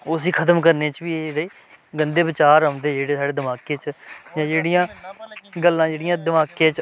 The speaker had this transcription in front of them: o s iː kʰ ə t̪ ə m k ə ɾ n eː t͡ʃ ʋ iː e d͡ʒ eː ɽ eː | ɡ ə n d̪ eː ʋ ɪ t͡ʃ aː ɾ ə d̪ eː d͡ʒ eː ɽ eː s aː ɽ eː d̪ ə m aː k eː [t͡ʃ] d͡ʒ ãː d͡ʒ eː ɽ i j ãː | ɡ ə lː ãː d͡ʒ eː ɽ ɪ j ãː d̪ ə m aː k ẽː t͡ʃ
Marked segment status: correct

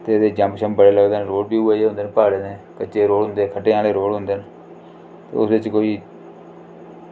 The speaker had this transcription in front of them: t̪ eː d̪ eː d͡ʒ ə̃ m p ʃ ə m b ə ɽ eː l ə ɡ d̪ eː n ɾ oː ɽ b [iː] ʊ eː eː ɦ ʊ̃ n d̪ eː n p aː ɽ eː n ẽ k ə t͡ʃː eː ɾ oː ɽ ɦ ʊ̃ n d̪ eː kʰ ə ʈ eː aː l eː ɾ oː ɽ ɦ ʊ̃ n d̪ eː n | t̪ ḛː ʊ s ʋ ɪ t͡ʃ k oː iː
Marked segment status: correct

